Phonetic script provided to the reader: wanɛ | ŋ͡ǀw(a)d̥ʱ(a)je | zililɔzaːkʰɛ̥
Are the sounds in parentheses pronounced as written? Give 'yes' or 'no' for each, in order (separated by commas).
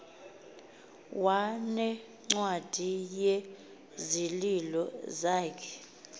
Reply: yes, no